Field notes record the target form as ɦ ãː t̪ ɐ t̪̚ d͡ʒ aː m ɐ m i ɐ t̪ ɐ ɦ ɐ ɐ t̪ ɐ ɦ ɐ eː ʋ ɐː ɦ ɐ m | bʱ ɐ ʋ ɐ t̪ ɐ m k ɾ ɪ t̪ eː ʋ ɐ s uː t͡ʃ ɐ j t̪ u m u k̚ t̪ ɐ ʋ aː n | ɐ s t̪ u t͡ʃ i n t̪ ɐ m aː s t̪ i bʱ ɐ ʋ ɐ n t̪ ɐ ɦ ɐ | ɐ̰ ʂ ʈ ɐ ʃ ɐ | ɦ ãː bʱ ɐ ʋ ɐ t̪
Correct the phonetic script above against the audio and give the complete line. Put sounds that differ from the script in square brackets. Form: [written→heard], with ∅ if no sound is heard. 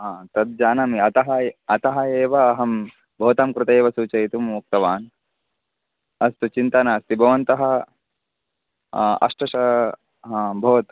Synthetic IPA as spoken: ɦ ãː t̪ ɐ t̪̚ d͡ʒ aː [m→n] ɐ m i ɐ t̪ ɐ ɦ ɐ ɐ t̪ ɐ ɦ ɐ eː ʋ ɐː ɦ ɐ m | bʱ ɐ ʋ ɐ t̪ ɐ m k ɾ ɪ t̪ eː ʋ ɐ s uː t͡ʃ ɐ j t̪ u m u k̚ t̪ ɐ ʋ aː n | ɐ s t̪ u t͡ʃ i n t̪ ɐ [m→n] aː s t̪ i bʱ ɐ ʋ ɐ n t̪ ɐ ɦ ɐ | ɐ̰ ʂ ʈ ɐ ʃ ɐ | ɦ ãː bʱ ɐ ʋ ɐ t̪